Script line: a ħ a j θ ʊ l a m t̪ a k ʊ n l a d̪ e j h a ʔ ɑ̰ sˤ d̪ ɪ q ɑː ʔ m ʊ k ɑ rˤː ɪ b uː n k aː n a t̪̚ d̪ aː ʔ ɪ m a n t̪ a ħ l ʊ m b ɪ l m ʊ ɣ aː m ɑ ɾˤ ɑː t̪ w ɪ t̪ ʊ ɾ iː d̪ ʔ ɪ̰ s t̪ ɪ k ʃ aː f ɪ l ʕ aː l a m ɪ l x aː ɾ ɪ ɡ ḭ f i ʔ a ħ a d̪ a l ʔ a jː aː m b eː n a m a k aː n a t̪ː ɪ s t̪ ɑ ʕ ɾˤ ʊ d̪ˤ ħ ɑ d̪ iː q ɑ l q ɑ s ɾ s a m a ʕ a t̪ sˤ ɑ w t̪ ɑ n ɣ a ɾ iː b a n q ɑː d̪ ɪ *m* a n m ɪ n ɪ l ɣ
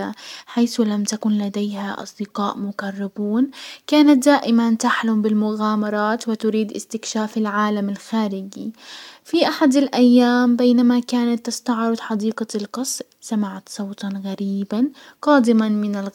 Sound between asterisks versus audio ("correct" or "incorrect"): correct